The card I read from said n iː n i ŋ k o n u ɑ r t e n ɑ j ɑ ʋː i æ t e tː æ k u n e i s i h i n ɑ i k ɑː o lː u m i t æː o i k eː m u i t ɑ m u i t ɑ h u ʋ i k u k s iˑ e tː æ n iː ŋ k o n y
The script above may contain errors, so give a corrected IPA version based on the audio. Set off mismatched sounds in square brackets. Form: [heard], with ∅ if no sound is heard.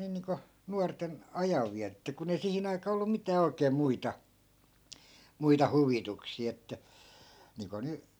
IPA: n iː n [iː] ŋ k o n u ɑ r t e n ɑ j ɑ ʋː i æ t e tː æ k u n e i s i h i n ɑ i k ɑː o lː u m i t æː o i k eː m u i t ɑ m u i t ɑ h u ʋ i [t] u k s iˑ e tː æ n iː ŋ k o n y